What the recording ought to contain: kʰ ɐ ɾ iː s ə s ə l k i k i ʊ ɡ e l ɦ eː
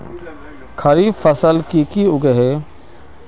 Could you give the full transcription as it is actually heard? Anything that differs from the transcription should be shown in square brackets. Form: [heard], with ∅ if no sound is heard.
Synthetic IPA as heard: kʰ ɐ ɾ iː [f] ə s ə l k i k i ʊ ɡ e [∅] ɦ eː